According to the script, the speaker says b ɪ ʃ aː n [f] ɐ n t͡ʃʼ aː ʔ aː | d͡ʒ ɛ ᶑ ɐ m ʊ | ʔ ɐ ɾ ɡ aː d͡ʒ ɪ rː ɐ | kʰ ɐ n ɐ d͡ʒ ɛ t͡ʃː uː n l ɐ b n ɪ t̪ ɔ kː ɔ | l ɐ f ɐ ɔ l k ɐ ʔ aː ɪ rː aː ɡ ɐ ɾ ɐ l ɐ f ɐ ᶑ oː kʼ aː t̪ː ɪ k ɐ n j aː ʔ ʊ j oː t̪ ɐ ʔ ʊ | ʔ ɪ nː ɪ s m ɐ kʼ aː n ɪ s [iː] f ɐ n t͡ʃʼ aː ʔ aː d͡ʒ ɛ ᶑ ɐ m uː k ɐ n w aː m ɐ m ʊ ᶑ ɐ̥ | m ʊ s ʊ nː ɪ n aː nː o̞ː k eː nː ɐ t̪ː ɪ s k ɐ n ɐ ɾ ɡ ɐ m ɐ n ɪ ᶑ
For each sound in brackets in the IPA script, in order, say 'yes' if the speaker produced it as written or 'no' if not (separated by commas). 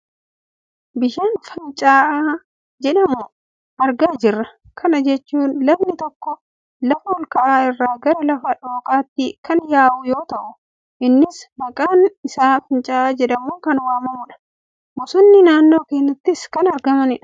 yes, no